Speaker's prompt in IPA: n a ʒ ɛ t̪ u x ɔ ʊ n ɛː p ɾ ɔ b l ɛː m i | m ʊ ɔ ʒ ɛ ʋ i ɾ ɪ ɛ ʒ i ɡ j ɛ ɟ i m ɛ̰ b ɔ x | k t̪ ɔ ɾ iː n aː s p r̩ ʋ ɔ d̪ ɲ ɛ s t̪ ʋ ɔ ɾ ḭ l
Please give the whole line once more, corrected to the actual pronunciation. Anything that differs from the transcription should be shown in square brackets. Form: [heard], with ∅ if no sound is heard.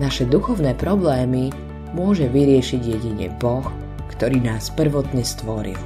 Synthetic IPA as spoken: n a [ʃ] ɛ [d̪] u x ɔ ʊ n ɛː p ɾ ɔ b l ɛː m i | m ʊ ɔ ʒ ɛ ʋ i ɾ ɪ ɛ [ʃ] i [ɟ] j ɛ ɟ i [ɲ] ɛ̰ b ɔ x | k t̪ ɔ ɾ iː n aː s p r̩ ʋ ɔ [t̪] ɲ ɛ s t̪ ʋ ɔ ɾ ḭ l